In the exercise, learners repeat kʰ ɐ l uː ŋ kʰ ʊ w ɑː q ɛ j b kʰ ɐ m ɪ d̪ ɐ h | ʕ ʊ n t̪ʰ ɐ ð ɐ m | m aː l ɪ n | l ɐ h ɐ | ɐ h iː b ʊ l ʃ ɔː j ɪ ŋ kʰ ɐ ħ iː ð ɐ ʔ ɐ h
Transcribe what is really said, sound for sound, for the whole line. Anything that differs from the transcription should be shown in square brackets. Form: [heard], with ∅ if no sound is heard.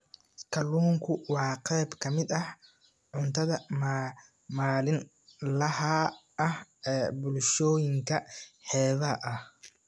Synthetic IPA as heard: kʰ ɐ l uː ŋ kʰ ʊ w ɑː q ɛ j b kʰ ɐ m ɪ d̪ ɐ h | ʕ ʊ n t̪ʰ ɐ ð ɐ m | m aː l ɪ n | l ɐ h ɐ | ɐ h [ɛː] b ʊ l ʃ ɔː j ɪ ŋ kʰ ɐ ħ [ɛː] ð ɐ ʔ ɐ h